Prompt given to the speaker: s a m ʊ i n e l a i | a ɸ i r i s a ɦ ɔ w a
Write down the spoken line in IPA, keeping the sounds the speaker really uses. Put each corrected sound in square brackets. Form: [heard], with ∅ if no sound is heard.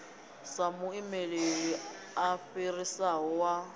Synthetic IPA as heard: s a m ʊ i [m] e l [e] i | a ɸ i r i s a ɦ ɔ w a

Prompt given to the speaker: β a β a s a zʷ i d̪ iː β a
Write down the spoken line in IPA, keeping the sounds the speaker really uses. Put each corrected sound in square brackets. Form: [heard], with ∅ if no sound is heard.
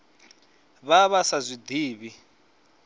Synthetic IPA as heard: β a β a s a zʷ i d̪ iː β [i]

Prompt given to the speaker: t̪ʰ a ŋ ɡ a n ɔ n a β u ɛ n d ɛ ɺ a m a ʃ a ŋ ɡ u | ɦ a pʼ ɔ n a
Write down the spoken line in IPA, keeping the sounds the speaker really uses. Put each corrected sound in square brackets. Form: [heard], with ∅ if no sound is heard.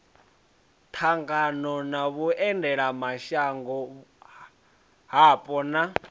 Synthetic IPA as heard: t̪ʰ a ŋ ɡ a n ɔ n a β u ɛ n d ɛ ɺ a m a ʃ a ŋ ɡ [ɔ] | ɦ a pʼ ɔ n a

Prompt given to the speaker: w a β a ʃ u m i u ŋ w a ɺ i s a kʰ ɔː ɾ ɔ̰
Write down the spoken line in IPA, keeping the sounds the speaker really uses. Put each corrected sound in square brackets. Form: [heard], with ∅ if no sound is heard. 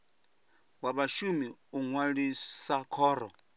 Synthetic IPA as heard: w a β a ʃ u m i u ŋ w a ɺ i s a kʰ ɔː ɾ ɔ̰

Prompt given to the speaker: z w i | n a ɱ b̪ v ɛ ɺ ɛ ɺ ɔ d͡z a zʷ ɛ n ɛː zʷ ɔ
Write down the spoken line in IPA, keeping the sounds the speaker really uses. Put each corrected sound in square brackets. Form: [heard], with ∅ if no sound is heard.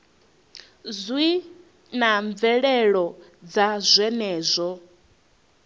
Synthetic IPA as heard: z w i | n a ɱ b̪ v ɛ ɺ ɛ ɺ ɔ d͡z a zʷ ɛ n ɛː zʷ ɔ

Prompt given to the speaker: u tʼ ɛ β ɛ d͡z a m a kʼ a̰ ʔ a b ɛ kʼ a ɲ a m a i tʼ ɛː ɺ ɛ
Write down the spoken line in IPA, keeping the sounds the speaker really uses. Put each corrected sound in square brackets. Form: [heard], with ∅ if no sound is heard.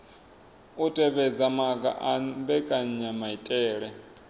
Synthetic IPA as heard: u tʼ ɛ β ɛ d͡z a m a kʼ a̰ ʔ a b ɛ kʼ a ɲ a m a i tʼ ɛː ɺ ɛ

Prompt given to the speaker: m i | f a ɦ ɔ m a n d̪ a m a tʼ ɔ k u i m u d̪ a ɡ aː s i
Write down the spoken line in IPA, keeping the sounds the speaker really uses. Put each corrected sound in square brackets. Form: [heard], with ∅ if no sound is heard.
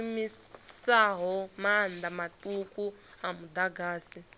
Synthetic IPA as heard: m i | [s] a ɦ ɔ m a n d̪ a m a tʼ [u] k u [a] m u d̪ a ɡ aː s i

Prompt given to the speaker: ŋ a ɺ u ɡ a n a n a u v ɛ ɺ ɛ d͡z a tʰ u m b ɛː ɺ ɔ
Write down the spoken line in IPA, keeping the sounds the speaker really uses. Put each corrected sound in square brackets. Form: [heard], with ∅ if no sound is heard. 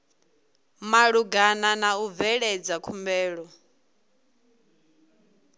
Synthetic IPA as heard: [m] a ɺ u ɡ a n a n a u v ɛ ɺ ɛ d͡z a [kʰ] u m b ɛː ɺ ɔ

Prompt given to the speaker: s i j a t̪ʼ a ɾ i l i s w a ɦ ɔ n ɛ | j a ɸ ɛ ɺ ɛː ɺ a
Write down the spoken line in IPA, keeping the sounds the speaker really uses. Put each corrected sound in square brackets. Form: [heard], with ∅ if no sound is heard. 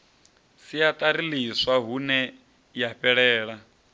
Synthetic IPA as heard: s i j a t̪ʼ a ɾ i l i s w a ɦ [u] n ɛ | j a ɸ ɛ ɺ ɛː ɺ a

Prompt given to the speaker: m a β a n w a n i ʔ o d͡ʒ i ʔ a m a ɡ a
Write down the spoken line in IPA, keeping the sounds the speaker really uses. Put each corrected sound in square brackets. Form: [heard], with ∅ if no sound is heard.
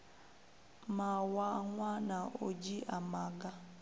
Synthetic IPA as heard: m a [w] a [ŋ] w a n [a] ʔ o d͡ʒ i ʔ a m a ɡ a

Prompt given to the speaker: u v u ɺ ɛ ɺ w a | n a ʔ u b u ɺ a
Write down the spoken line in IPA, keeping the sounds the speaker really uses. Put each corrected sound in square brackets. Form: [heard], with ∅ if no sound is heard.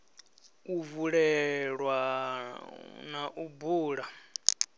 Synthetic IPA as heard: u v u ɺ ɛ ɺ w a | n a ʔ u b [uː] ɺ a

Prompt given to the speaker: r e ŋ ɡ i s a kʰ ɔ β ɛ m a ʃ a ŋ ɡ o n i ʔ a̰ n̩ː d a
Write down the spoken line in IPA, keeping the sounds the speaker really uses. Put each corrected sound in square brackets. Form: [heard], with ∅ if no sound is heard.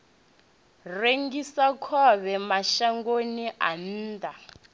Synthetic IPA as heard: r e ŋ ɡ i s a kʰ ɔ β ɛ m a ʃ a ŋ ɡ o n i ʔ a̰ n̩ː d a

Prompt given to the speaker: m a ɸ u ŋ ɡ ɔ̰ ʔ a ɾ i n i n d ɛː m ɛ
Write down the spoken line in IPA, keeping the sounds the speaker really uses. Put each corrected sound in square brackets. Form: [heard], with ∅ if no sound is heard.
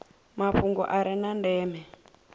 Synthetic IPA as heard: m a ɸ u ŋ ɡ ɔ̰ ʔ a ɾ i n [a] n d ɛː m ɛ

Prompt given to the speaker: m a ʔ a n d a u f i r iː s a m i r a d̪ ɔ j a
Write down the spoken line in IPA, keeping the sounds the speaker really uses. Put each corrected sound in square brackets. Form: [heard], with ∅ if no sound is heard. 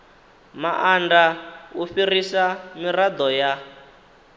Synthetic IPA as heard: m a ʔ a n d a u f i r [i] s a m i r a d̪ ɔ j a

